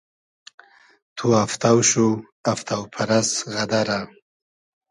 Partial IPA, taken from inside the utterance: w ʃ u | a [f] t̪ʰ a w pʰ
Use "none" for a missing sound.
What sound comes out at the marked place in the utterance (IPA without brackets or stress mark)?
f